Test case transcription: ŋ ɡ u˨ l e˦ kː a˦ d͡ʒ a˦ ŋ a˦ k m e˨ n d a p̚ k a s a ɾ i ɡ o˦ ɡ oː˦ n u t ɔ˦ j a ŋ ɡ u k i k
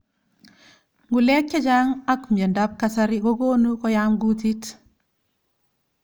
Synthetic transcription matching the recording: ŋ ɡ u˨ l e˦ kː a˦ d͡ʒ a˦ ŋ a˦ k m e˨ n d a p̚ k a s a ɾ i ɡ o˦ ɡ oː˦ n u k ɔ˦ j a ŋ ɡ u t i t